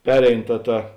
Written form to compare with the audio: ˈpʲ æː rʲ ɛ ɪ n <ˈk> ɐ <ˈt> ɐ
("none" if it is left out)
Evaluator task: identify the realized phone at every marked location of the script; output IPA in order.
t, t

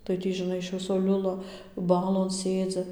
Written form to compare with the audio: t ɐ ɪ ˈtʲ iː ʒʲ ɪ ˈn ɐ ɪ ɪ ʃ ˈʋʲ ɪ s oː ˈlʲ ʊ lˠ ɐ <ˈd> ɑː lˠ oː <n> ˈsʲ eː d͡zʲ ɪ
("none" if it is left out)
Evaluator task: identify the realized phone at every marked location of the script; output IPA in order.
b, n

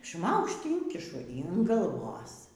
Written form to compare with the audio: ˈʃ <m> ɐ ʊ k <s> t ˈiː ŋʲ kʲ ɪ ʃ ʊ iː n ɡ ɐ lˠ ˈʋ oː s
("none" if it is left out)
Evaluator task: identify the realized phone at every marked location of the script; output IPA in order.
m, ʃ

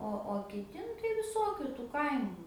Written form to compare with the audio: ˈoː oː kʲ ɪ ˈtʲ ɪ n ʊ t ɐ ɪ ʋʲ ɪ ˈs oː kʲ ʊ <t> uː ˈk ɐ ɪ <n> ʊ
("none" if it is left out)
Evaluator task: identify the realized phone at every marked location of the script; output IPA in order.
t, m

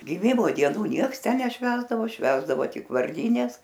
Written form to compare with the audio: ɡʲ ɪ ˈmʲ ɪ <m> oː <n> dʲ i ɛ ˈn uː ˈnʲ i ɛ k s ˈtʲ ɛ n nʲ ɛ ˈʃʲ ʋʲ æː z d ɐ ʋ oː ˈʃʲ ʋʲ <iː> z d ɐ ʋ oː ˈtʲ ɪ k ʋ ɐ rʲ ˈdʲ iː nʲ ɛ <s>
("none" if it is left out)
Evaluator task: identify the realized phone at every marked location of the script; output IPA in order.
m, none, æː, s

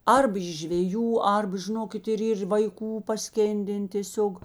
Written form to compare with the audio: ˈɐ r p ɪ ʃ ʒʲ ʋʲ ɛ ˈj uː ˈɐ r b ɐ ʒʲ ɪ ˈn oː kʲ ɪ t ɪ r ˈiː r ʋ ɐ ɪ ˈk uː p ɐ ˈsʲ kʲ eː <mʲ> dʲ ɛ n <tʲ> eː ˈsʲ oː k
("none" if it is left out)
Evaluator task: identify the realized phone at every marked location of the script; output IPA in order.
nʲ, tʲ

